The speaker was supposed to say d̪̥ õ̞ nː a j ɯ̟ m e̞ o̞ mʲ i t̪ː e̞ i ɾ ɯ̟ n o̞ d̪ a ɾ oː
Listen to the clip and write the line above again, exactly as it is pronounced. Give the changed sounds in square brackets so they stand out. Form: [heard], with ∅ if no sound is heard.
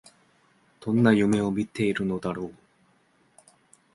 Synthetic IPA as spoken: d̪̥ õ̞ nː a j ɯ̟ m e̞ o̞ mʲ i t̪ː e̞ i ɾ ɯ̟ n o̞ d̪ a ɾ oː